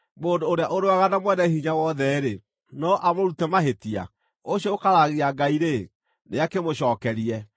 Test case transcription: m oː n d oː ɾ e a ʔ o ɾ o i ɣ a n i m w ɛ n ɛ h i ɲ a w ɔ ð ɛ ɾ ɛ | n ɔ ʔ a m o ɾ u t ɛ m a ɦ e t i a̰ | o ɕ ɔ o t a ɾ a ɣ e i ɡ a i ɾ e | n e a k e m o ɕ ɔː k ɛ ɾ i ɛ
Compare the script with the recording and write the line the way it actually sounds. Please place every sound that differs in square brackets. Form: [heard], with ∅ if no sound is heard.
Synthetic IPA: m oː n d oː ɾ e a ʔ o ɾ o [a] ɣ a n [a] m w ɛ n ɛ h i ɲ a w ɔ ð ɛ ɾ [e] | n ɔ ʔ a m o ɾ u t ɛ m a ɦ e t i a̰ | o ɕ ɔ o [k] a ɾ a ɣ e [a] ɡ a i ɾ e | n e a k e m o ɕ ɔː k ɛ ɾ i ɛ